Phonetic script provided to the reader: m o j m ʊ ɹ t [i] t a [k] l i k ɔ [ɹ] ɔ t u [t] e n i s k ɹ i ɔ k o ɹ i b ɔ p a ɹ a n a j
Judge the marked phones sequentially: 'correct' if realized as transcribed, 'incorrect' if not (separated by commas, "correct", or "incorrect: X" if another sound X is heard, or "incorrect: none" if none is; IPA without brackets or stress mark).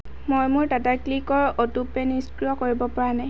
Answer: incorrect: a, correct, correct, incorrect: p